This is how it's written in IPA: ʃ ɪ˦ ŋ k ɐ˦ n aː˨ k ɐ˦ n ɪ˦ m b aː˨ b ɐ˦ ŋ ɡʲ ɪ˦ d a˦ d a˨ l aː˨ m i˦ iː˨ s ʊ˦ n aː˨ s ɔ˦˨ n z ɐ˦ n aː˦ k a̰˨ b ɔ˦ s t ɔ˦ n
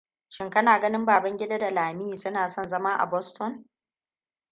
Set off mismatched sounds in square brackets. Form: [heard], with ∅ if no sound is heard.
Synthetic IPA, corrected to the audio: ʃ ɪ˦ ŋ k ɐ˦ n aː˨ [ɡ] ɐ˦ n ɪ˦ m b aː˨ b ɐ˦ ŋ ɡʲ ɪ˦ d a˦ d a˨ l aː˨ m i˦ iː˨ s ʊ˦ n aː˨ s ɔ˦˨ n z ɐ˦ [m] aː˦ [ʔ] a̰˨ b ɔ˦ s t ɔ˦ n